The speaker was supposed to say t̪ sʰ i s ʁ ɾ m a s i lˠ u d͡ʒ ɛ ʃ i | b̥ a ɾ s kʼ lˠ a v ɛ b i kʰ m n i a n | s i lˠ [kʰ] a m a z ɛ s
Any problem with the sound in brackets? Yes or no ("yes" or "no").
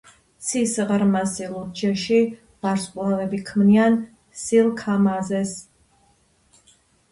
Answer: no